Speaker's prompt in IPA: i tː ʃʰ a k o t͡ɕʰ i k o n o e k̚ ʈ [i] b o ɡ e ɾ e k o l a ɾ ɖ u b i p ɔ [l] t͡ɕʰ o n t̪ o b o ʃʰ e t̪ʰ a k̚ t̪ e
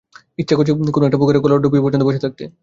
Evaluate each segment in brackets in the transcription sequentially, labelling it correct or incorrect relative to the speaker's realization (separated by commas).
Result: incorrect, incorrect